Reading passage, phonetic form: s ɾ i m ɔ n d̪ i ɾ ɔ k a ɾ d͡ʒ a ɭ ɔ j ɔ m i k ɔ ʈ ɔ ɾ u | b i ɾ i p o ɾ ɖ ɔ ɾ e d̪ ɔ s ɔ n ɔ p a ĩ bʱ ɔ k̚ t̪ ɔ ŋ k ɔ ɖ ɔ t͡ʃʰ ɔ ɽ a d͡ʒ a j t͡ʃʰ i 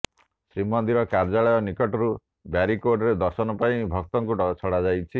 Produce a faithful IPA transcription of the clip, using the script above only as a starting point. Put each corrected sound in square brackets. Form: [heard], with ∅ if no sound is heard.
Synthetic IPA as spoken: s ɾ i m ɔ n d̪ i ɾ ɔ k a ɾ d͡ʒ a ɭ ɔ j ɔ [n] i k ɔ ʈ ɔ ɾ u | b [a] ɾ i [k] o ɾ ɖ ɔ ɾ e d̪ ɔ s ɔ n ɔ p a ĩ bʱ ɔ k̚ t̪ ɔ ŋ k [u] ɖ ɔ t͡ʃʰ ɔ ɽ a d͡ʒ a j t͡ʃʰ i